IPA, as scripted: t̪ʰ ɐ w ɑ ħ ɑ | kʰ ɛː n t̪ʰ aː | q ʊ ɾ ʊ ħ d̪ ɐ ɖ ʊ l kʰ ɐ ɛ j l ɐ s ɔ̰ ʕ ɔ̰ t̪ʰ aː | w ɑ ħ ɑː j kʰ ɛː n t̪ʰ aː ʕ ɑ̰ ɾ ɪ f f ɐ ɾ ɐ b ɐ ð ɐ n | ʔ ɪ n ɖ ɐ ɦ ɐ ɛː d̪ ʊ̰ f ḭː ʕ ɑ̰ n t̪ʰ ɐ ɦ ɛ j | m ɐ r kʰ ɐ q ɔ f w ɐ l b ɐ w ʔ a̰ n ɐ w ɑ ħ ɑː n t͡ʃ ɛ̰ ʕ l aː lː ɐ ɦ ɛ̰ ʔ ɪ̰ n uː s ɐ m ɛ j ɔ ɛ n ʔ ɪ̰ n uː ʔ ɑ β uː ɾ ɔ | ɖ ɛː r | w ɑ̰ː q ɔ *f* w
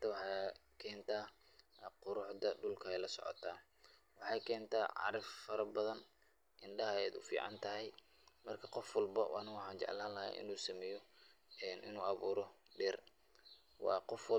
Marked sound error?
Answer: no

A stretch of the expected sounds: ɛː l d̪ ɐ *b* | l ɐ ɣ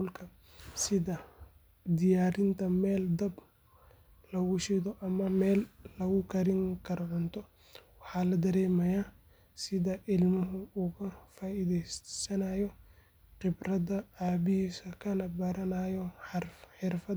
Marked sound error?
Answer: no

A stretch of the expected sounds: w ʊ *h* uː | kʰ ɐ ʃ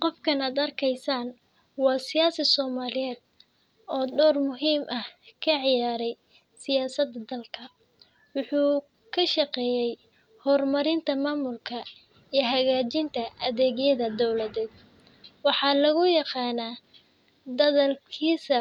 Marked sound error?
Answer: yes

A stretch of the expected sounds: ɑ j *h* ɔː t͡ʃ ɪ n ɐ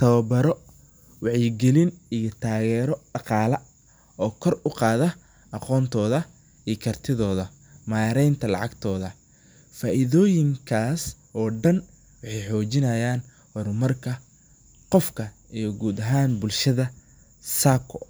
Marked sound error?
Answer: yes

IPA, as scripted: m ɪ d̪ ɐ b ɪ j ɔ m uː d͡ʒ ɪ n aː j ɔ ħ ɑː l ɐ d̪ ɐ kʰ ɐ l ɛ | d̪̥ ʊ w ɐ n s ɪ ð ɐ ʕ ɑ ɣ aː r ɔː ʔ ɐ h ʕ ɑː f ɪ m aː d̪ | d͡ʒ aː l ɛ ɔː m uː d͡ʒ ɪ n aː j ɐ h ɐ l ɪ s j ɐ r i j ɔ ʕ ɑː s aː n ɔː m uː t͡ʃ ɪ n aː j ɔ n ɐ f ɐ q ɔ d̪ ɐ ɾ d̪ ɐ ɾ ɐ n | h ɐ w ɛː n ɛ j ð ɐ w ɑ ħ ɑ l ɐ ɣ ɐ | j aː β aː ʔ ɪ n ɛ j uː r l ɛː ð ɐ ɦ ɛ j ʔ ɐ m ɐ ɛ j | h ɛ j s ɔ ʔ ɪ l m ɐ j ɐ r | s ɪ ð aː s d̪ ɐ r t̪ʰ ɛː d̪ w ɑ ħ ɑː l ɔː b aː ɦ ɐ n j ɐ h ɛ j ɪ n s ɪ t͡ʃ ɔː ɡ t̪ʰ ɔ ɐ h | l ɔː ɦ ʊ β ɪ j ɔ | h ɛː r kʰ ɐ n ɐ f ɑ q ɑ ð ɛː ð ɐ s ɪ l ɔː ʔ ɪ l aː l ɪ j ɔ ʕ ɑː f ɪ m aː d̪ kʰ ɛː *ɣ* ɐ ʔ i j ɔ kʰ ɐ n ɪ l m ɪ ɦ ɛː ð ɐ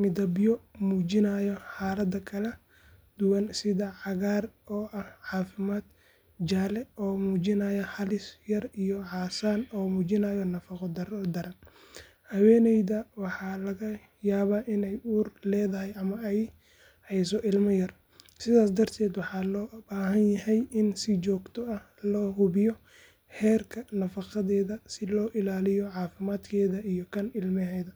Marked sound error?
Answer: yes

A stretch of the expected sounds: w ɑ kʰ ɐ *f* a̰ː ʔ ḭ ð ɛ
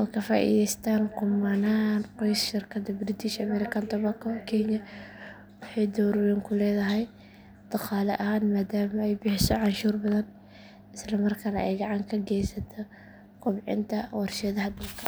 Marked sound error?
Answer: no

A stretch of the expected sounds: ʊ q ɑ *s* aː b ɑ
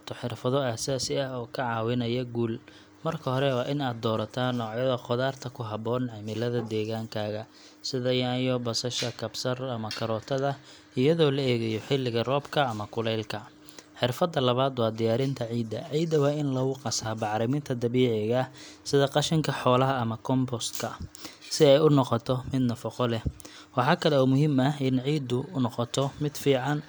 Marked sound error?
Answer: no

